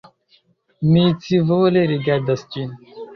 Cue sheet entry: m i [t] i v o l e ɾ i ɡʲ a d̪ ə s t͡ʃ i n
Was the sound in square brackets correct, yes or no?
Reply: no